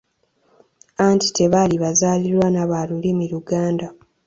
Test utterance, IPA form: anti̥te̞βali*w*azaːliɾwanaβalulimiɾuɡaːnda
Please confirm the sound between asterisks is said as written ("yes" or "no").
no